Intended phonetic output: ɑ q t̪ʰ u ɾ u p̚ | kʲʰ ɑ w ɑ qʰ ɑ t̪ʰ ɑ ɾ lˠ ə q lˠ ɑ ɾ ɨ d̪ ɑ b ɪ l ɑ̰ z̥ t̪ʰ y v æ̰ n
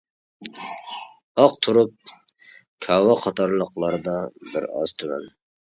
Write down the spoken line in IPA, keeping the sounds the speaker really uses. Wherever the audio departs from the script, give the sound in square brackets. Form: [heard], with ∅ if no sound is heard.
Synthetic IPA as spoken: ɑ q t̪ʰ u ɾ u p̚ | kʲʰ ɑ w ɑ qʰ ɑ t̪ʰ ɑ ɾ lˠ ə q lˠ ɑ ɾ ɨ d̪ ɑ b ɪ [ɾ] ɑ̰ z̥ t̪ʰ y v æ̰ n